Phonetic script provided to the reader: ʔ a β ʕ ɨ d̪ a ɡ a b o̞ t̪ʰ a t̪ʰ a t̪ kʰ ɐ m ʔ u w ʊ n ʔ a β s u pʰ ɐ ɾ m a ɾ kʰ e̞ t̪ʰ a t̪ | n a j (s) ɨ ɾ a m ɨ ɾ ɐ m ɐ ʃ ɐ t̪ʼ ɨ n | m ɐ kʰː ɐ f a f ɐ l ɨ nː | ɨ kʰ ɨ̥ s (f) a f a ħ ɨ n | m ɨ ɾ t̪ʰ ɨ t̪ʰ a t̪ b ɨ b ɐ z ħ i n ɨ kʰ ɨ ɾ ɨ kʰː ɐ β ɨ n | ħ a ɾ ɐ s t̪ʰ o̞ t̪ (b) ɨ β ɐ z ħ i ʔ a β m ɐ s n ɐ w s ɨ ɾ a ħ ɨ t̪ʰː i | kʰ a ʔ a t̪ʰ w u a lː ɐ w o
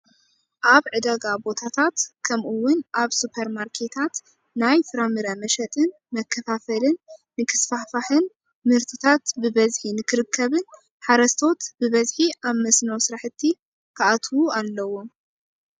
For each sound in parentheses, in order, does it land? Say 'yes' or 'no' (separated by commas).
no, yes, yes